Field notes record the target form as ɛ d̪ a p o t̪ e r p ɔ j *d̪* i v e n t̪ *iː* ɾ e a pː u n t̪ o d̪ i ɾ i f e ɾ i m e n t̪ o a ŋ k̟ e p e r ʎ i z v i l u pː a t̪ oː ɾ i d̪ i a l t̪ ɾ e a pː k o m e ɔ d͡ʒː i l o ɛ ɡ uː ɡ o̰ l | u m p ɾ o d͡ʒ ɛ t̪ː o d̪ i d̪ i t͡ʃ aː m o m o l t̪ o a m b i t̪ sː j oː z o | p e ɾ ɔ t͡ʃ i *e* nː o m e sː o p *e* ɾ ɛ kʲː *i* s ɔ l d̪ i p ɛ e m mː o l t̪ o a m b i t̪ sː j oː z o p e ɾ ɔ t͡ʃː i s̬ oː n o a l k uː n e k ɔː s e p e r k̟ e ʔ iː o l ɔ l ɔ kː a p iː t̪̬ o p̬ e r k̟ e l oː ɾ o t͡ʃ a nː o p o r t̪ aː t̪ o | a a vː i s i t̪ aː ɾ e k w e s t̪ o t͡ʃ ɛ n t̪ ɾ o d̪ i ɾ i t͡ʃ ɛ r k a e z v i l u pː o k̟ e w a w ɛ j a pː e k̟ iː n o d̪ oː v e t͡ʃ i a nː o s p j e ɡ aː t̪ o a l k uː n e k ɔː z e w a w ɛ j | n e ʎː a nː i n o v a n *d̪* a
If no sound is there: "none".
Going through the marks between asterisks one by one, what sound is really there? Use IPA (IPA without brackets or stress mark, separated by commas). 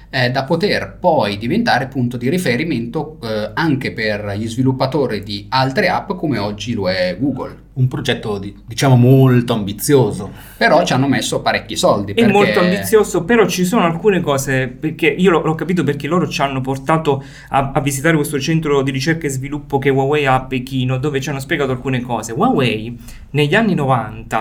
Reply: d̪, aː, a, a, i, t̪